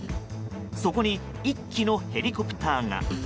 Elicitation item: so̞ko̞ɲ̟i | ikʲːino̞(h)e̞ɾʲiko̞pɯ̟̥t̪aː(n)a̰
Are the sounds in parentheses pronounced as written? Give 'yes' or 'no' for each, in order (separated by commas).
yes, no